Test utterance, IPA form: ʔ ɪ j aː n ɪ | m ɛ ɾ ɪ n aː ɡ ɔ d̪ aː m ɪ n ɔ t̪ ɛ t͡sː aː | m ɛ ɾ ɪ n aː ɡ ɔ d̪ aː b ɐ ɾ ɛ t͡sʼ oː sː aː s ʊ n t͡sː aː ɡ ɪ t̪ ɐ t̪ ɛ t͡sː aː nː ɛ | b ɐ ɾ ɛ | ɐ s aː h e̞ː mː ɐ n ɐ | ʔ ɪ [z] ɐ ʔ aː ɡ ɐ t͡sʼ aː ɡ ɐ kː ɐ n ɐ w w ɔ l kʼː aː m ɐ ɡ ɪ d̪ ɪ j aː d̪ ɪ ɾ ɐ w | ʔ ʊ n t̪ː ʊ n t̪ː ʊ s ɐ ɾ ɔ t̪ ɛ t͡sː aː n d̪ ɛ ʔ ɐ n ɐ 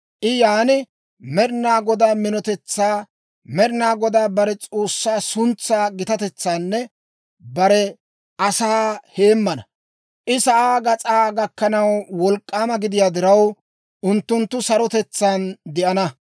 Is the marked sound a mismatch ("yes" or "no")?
yes